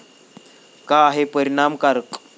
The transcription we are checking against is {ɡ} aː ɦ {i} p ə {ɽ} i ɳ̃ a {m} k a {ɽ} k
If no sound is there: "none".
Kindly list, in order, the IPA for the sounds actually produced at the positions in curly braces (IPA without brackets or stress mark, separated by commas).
k, e, ɾ, m, ɾ